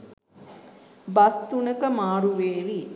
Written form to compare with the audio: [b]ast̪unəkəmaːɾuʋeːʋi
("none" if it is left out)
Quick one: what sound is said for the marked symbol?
b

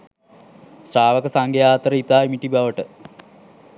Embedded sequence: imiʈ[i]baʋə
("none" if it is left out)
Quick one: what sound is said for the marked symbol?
i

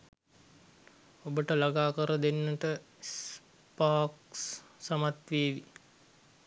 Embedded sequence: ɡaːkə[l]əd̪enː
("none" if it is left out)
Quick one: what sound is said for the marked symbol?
ɾ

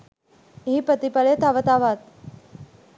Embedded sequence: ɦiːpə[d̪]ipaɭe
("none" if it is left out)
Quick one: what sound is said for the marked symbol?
t̪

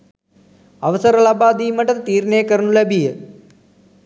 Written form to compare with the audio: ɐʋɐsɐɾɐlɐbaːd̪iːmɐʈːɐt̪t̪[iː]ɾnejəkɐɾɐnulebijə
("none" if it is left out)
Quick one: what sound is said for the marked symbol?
iː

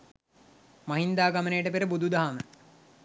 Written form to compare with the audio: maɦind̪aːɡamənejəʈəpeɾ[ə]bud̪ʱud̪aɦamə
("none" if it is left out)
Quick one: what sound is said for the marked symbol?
ə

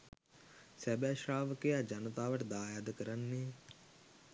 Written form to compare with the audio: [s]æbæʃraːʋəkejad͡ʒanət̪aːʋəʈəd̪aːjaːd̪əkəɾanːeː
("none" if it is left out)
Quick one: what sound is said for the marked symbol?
s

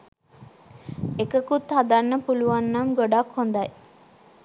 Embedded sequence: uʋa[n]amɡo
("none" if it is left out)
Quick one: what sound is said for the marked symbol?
nː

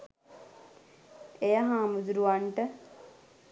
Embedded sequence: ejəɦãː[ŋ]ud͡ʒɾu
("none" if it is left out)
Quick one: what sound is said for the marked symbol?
m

